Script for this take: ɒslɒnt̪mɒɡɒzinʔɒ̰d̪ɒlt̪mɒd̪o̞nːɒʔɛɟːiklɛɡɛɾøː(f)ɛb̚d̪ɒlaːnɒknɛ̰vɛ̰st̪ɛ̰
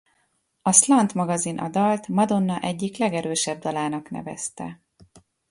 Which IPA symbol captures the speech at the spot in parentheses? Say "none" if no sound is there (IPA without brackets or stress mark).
ʃ